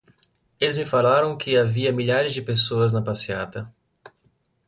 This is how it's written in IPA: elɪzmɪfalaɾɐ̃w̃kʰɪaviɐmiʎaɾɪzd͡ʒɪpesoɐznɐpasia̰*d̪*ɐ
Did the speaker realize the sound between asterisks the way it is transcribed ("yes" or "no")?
no